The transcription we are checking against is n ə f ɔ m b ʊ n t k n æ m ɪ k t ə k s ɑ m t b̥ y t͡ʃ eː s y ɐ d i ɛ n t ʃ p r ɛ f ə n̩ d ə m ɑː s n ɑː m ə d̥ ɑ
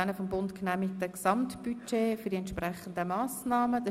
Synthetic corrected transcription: n ə f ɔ m b ʊ n t k n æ m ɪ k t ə k s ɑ m t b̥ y t͡ʃ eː f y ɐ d i ɛ n t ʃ p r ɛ χ ə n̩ d ə m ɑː s n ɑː m ə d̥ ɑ

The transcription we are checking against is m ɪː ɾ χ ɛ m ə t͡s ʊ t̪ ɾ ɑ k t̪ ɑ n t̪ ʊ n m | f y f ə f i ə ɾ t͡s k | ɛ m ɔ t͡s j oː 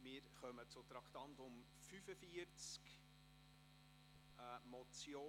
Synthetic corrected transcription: m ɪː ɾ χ œ m ə t͡s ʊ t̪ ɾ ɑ k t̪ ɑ n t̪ ʊ m | f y f ə f i ə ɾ t͡s k | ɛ m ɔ t͡s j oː

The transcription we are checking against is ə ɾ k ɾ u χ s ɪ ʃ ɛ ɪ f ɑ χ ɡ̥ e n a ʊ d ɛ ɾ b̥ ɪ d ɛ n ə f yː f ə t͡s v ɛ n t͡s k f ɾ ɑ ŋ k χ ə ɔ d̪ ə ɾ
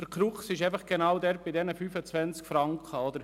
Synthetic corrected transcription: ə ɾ k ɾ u χ s ɪ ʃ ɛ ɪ f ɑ χ ɡ̥ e n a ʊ d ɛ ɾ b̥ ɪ d ɛ n ə f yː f ə t͡s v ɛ n t͡s k f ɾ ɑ ŋ k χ ə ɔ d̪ ə ɾ

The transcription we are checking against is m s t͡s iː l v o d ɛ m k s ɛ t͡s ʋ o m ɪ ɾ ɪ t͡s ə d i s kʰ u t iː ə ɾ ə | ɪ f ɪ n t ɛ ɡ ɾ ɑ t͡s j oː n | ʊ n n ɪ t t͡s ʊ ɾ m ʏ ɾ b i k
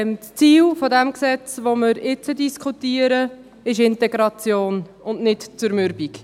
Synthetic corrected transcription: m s t͡s iː l f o d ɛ m k s ɛ t͡s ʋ o m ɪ ɾ ɪ t͡s ə d i s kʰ u t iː ə ɾ ə | ɪ ʃ ɪ n t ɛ ɡ ɾ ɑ t͡s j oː n | ʊ n n ɪ t t͡s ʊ ɾ m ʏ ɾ b i k

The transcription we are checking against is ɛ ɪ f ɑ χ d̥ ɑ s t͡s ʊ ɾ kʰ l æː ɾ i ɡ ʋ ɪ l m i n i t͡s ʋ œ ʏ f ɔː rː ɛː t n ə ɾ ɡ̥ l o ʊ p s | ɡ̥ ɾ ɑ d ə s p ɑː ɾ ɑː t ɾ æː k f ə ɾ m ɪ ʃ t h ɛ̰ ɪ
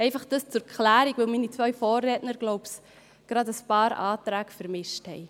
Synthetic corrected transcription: ɛ ɪ f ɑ χ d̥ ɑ s t͡s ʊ ɾ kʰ l æː ɾ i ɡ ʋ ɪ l m i n i t͡s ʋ œ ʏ f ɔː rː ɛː t n ə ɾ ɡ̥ l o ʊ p s | ɡ̥ ɾ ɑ d ə s p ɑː ɾ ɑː t ɾ æː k f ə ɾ m ɪ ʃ t h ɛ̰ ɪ

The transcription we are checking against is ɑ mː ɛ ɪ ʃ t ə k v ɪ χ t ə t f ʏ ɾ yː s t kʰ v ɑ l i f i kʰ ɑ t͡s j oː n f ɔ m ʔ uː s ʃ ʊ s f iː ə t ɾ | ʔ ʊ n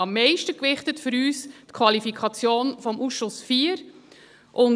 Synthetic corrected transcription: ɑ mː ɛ ɪ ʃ t ə k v ɪ χ t ə t f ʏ ɾ yː s t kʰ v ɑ l i f i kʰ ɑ t͡s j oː n f ɔ m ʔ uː s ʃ ʊ s f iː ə ɾ | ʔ ʊ n

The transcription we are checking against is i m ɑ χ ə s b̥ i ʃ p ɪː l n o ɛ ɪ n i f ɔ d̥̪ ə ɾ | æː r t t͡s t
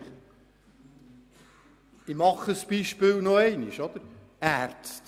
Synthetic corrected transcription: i m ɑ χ ə s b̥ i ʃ p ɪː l n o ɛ ɪ n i ʃ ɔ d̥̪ ə ɾ | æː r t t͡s t

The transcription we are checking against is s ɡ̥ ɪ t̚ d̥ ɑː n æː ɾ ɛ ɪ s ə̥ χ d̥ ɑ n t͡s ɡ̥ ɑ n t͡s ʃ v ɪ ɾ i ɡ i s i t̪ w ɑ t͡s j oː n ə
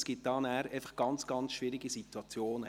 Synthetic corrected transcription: s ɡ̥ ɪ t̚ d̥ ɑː n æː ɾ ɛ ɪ f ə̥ χ ɡ̥ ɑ n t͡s ɡ̥ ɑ n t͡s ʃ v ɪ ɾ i ɡ i s i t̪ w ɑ t͡s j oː n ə

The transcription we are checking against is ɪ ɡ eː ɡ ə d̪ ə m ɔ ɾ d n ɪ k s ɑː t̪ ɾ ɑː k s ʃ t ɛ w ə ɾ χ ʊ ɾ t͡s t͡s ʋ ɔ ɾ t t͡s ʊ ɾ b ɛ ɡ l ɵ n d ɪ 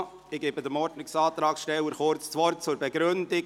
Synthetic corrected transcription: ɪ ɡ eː b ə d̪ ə m ɔ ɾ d n ɪ k s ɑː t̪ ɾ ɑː k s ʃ t ɛ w ə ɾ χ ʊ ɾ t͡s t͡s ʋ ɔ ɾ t t͡s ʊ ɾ b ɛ ɡ ɾ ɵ n d ɪ

